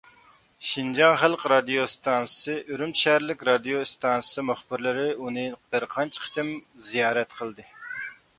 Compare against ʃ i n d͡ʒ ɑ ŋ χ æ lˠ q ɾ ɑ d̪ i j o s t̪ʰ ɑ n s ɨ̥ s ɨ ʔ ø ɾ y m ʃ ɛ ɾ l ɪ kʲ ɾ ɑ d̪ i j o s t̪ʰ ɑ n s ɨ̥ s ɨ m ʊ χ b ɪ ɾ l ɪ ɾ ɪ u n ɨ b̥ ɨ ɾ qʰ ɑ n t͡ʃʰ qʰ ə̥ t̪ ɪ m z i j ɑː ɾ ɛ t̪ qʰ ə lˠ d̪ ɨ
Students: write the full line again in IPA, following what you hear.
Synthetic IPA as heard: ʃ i n d͡ʒ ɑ ŋ χ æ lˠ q ɾ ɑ d̪ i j o s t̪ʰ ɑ n s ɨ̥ s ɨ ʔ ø ɾ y m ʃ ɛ ɾ l ɪ kʲ ɾ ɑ d̪ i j o s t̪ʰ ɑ n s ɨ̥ s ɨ m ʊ χ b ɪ ɾ l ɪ ɾ ɪ u n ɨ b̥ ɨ ɾ qʰ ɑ n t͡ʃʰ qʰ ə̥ t̪ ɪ m z i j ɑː ɾ ɛ t̪ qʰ ə lˠ d̪ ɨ